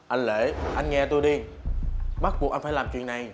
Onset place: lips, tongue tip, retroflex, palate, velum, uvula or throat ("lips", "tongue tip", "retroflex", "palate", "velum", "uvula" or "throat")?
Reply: throat